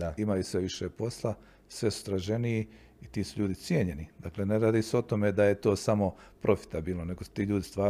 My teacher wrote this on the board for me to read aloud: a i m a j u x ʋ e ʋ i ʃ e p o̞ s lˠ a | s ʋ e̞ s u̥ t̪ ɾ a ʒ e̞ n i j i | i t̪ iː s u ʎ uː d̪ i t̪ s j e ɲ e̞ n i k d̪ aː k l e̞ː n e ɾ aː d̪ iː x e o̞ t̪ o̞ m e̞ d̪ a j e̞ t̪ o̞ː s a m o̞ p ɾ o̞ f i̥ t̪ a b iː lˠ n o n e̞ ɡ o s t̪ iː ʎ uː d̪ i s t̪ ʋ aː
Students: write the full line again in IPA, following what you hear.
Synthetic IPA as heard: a i m a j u s ʋ e ʋ i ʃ e p o̞ s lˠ a | s ʋ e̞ s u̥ t̪ ɾ a ʒ e̞ n i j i | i t̪ iː s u ʎ uː d̪ i t̪ s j e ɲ e̞ n i d̪ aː k l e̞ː n e ɾ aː d̪ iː s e o̞ t̪ o̞ m e̞ d̪ a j e̞ t̪ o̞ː s a m o̞ p ɾ o̞ f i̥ t̪ a b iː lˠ n o n e̞ ɡ o s t̪ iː ʎ uː d̪ i s t̪ ʋ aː